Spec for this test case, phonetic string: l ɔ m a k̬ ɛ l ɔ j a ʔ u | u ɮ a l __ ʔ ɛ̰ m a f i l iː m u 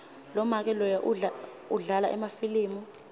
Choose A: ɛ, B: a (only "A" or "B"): B